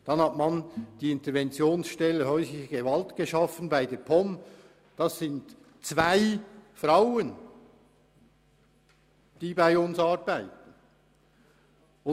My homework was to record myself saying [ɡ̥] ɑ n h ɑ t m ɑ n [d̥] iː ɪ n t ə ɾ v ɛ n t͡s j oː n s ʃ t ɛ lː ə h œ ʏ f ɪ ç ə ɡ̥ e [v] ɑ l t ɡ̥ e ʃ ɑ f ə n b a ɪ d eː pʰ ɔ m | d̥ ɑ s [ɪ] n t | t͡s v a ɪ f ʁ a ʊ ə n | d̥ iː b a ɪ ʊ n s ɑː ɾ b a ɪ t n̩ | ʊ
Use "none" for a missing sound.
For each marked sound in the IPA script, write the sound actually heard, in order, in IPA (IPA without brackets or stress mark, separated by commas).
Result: d̥, d̥, v, ɪ